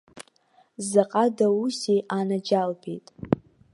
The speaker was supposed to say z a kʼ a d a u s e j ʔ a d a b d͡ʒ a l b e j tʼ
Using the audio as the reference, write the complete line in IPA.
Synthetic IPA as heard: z a qʼ a d a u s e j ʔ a n a d͡ʒ a l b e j tʼ